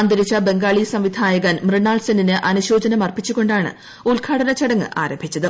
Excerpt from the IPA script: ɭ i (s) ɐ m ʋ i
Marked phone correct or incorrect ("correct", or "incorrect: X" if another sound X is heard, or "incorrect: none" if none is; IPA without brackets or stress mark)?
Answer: correct